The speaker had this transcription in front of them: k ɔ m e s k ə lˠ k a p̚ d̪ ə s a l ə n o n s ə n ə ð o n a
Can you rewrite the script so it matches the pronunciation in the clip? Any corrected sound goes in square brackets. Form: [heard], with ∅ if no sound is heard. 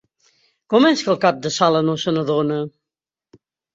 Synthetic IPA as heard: k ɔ m [ɛ] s k ə lˠ k a p̚ d̪ ə s a l ə n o [∅] s ə n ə ð o n [ə]